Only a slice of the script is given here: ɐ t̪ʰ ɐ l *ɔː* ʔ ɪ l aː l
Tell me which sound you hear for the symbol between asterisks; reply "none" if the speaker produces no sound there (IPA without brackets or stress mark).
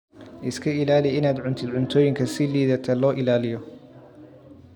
ɔː